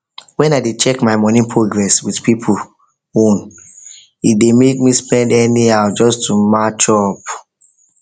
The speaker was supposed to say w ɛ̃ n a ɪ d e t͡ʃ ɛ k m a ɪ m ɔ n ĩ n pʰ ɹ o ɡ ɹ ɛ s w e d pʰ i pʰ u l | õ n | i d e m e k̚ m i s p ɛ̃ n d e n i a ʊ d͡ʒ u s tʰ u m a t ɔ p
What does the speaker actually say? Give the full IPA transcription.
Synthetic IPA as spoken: w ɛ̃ n a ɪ d e t͡ʃ ɛ k m a ɪ m ɔ n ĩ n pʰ ɹ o ɡ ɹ ɛ s w i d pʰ i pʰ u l | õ n | i d e m e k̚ m i s p ɛ̃ n d ɛ n i a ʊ d͡ʒ ɔ s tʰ u m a t͡ʃ ɔ p